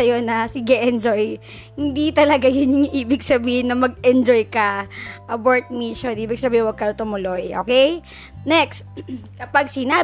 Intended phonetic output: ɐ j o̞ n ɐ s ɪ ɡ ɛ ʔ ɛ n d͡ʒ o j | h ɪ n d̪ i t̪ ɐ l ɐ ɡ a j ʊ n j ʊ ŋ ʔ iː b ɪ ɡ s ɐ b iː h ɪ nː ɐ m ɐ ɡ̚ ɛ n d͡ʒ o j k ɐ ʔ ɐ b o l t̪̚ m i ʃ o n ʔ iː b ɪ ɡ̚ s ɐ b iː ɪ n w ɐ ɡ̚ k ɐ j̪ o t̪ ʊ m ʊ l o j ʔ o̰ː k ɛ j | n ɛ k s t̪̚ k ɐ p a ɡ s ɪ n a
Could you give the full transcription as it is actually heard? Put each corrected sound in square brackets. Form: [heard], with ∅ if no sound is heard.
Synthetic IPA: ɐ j o̞ n ɐ s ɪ ɡ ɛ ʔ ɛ n d͡ʒ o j | h ɪ n d̪ i t̪ ɐ l ɐ ɡ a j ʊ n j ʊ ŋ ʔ iː b ɪ ɡ s ɐ b iː h ɪ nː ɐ m ɐ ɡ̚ ɛ n d͡ʒ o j k ɐ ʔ ɐ b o [ɹ] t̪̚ m i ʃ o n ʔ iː b ɪ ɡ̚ s ɐ b iː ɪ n w ɐ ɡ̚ k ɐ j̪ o t̪ ʊ m ʊ l o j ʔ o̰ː k ɛ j | n ɛ k s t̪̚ k ɐ p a ɡ s ɪ n a